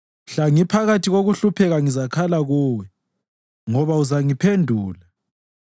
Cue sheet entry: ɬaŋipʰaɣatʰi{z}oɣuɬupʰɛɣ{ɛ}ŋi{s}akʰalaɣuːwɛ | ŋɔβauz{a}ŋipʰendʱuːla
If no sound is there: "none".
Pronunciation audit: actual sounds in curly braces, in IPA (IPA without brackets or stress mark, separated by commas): ɣ, a, z, a